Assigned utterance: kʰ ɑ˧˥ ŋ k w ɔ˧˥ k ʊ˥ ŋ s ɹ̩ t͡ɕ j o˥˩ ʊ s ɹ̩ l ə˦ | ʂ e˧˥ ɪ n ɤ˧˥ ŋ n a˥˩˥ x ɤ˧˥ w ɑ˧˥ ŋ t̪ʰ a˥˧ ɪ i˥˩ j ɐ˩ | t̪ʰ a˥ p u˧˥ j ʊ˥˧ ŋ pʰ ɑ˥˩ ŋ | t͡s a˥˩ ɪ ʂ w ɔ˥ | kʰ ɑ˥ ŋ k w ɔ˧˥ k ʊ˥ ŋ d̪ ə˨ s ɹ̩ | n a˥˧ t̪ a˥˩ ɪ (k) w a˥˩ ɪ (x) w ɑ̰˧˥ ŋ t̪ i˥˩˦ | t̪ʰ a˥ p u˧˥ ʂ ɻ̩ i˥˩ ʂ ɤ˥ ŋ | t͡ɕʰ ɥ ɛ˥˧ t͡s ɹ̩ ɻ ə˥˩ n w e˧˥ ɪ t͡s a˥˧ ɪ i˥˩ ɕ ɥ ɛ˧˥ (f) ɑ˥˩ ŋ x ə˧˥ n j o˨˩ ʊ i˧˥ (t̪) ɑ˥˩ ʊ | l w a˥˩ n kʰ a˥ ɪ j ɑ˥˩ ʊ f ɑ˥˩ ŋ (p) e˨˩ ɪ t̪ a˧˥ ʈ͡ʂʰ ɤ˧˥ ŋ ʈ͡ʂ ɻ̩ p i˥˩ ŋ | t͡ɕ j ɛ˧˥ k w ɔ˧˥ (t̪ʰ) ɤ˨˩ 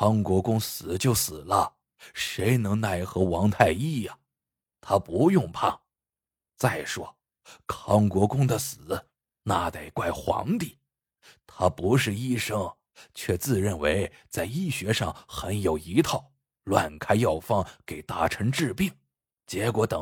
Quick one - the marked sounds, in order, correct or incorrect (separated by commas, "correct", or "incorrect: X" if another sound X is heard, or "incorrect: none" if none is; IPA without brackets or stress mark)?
correct, correct, incorrect: ʂ, incorrect: t̪ʰ, incorrect: k, incorrect: t̪